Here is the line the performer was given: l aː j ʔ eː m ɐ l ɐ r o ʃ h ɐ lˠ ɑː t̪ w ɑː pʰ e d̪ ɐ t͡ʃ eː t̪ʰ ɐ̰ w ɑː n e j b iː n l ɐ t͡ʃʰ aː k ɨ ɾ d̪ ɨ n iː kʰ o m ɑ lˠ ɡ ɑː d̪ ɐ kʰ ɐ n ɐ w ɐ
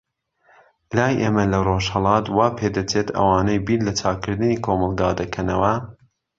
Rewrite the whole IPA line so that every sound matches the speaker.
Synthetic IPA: l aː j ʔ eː m ɐ l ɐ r o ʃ h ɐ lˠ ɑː t̪ w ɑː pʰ e d̪ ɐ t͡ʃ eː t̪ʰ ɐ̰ w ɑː n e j b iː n l ɐ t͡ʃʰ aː k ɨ ɾ d̪ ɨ n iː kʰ o m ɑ lˠ ɡ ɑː d̪ ɐ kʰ ɐ n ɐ w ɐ